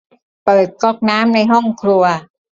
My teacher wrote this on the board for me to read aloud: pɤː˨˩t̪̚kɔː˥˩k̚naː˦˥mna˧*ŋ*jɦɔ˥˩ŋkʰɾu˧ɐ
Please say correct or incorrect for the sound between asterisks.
incorrect